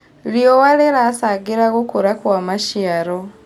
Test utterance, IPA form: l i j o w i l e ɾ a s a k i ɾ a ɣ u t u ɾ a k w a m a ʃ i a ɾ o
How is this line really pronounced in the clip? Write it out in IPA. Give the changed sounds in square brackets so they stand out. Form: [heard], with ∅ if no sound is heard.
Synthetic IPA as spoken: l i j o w [a] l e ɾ a s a [ɡ] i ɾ a ɣ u [k] u ɾ a k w a m a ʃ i a ɾ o